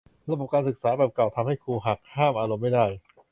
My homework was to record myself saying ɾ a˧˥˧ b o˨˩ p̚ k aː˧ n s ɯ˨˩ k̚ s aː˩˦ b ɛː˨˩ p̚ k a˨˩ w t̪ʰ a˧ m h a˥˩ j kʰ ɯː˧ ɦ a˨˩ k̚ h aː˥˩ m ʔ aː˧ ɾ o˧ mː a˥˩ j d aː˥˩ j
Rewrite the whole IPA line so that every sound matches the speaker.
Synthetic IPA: ɾ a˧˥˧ b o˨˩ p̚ k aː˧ n s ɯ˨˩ k̚ s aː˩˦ b ɛː˨˩ p̚ k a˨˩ w t̪ʰ a˧ m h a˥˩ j kʰ uː˧ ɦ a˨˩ k̚ h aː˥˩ m ʔ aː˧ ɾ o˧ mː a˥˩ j d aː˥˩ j